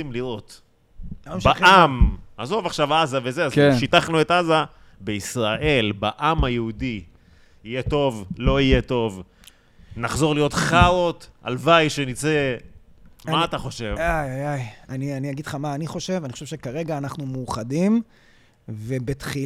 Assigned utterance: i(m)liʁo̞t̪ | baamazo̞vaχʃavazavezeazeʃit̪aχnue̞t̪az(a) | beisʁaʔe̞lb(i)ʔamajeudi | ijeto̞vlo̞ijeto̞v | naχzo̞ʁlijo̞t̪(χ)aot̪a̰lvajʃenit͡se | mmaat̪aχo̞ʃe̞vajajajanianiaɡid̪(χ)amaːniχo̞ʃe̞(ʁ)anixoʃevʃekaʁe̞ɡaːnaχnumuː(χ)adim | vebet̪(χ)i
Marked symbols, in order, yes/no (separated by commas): yes, yes, no, yes, yes, no, yes, yes